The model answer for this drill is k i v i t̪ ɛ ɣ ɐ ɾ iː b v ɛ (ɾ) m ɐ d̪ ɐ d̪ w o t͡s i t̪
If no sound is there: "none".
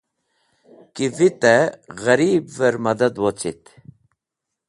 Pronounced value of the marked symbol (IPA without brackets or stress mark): ɾ